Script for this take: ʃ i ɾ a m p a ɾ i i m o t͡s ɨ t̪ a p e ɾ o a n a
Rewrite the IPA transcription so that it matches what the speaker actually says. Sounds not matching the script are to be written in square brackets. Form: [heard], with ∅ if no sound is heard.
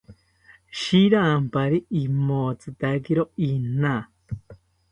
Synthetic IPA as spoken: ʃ i ɾ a m p a ɾ i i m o t͡s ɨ t̪ a [k] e ɾ o [i] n a